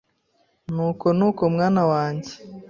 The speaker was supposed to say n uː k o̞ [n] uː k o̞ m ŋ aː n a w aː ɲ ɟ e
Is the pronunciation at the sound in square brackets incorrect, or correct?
correct